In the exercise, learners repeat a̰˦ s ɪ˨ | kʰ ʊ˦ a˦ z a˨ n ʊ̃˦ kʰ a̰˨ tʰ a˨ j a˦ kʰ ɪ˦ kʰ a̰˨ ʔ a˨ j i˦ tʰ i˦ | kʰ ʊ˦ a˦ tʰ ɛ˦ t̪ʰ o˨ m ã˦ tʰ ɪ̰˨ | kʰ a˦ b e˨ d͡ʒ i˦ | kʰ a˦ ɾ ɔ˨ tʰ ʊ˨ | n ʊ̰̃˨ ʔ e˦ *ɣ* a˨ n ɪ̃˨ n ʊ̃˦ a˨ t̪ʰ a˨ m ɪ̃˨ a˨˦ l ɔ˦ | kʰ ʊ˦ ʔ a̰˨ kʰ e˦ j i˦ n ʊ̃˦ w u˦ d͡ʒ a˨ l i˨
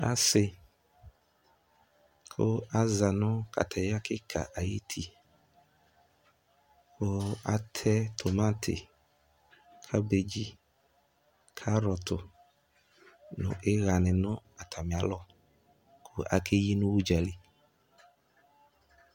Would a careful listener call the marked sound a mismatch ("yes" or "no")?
no